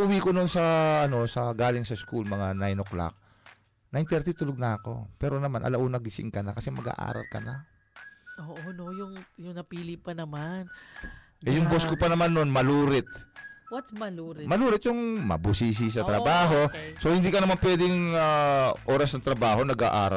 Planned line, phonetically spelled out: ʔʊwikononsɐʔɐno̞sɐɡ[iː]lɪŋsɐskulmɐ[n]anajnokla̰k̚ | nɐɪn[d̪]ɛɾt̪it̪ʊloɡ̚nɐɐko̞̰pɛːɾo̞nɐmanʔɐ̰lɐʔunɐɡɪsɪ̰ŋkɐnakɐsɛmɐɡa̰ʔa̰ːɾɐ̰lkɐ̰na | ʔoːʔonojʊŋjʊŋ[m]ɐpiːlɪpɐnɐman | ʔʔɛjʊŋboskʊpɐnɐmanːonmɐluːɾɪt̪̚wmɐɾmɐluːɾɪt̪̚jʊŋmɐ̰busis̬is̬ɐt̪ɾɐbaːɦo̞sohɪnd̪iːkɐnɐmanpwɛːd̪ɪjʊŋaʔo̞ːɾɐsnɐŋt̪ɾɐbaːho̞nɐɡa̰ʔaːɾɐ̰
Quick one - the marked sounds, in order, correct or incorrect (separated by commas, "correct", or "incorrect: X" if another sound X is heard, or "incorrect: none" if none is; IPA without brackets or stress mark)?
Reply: incorrect: aː, incorrect: ŋ, incorrect: t̪, incorrect: n